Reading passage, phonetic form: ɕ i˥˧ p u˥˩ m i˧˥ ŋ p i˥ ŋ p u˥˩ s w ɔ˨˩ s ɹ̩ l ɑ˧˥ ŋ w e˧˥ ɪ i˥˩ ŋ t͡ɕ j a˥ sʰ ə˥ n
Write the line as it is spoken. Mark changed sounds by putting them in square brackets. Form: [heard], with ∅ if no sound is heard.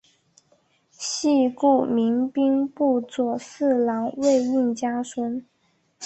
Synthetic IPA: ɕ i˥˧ [k] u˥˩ m i˧˥ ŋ p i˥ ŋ p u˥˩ [t͡s] w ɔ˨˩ s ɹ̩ l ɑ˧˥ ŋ w [e˥˧] ɪ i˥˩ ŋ t͡ɕ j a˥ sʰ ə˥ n